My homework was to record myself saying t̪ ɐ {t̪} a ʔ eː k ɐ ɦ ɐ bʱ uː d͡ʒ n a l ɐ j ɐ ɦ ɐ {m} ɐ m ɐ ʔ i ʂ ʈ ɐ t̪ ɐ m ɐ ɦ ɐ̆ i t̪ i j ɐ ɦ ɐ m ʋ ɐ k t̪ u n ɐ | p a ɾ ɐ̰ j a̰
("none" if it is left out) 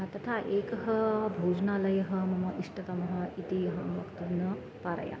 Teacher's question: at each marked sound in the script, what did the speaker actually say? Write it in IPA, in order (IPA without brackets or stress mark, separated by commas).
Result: t̪ʰ, m